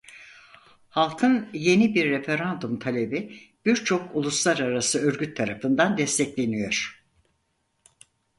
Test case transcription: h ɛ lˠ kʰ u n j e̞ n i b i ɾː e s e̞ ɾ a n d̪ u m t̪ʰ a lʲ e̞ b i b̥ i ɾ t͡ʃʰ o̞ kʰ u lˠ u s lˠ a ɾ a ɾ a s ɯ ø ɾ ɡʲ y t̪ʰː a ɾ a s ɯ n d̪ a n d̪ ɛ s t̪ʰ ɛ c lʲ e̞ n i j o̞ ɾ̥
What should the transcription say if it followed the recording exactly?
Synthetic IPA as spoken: h a lˠ kʰ ɯ n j e̞ n i b i ɾː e f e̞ ɾ a n d̪ u m t̪ʰ a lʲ e̞ b i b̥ i ɾ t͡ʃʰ o̞ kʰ u lˠ u s lˠ a ɾ a ɾ a s ɯ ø ɾ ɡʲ y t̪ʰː a ɾ a f ɯ n d̪ a n d̪ ɛ s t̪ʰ ɛ c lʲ e̞ n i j o̞ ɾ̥